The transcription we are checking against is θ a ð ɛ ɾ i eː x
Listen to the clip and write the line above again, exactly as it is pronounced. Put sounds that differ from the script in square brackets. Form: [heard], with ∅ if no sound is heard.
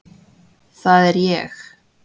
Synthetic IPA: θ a ð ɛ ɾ [j] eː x

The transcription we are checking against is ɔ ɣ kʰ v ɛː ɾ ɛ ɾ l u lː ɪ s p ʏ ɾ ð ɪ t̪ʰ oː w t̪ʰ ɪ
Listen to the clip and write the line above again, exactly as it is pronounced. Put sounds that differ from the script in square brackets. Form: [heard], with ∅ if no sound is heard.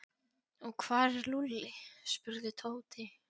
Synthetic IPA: ɔ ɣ kʰ v [aː] ɾ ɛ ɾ l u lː ɪ s p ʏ ɾ ð ɪ t̪ʰ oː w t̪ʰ ɪ

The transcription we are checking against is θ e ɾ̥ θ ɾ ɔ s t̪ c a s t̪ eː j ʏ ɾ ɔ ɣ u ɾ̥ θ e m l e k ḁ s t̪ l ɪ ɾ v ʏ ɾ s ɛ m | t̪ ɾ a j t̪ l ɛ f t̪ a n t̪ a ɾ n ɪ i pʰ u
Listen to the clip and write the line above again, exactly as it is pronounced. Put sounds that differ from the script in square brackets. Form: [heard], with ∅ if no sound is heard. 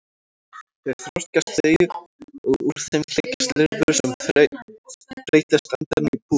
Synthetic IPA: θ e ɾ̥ θ ɾ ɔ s t̪ c a s t̪ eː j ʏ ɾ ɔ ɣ u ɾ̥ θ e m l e [c] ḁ s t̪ l ɪ ɾ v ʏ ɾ s ɛ m | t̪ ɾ [e] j t̪ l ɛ [s] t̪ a n t̪ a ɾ n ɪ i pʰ u

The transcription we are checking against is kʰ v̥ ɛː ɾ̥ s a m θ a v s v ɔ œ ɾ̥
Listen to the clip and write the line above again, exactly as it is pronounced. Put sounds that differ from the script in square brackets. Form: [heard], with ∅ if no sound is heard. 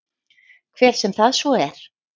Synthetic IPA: kʰ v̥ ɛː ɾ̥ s [ɛ] m θ a [ð] s v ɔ [ɛ] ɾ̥

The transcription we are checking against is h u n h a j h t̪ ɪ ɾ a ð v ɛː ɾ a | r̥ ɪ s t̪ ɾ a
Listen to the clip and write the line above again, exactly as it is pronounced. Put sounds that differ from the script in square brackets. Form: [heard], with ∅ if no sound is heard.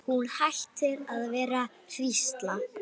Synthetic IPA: h u n h a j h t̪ ɪ ɾ a ð v ɛː ɾ a | r̥ [i] s t̪ [l] a

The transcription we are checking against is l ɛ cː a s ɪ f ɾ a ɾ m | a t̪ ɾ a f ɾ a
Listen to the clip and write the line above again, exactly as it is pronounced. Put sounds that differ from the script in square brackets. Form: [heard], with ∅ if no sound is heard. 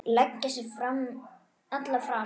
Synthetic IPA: l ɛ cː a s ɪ f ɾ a [∅] m | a t̪ [l] a f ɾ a

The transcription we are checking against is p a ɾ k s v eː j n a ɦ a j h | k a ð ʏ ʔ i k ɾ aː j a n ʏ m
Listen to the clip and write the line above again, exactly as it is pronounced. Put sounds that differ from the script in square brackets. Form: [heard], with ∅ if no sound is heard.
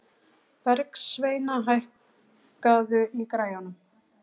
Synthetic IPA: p [ɛ] ɾ k s v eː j n a ɦ a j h | k a ð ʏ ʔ i k ɾ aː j a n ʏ m

